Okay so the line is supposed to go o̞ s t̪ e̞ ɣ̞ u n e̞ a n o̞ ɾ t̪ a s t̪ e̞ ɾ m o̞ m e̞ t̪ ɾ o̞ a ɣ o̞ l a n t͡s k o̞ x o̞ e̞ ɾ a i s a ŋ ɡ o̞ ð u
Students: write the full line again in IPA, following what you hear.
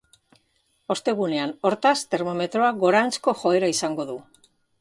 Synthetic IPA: o̞ s t̪ e̞ ɣ̞ u n e̞ a n o̞ ɾ t̪ a s t̪ e̞ ɾ m o̞ m e̞ t̪ ɾ o̞ a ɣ o̞ ɾ a n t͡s k o̞ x o̞ e̞ ɾ a i s a ŋ ɡ o̞ ð u